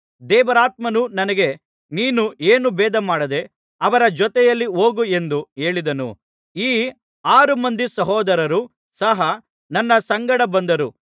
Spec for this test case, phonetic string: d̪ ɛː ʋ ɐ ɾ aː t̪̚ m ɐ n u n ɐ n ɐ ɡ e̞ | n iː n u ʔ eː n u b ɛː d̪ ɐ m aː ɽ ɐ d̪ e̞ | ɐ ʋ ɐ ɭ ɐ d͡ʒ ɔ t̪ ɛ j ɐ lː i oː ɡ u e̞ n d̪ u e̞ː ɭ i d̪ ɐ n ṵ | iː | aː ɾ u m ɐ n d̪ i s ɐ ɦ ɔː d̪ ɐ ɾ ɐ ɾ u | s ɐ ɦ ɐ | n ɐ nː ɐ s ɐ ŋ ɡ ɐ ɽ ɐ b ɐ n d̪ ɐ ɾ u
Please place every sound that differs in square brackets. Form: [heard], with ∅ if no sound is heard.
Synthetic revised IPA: d̪ ɛː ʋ ɐ ɾ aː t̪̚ m ɐ n u n ɐ n ɐ ɡ e̞ | n iː n u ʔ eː n u b ɛː d̪ ɐ m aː ɽ ɐ d̪ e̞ | ɐ ʋ ɐ [ɾ] ɐ d͡ʒ ɔ t̪ ɛ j ɐ lː i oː ɡ u e̞ n d̪ u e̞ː ɭ i d̪ ɐ n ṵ | iː | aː ɾ u m ɐ n d̪ i s ɐ ɦ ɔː d̪ ɐ ɾ ɐ ɾ u | s ɐ ɦ ɐ | n ɐ nː ɐ s ɐ ŋ ɡ ɐ ɽ ɐ b ɐ n d̪ ɐ ɾ u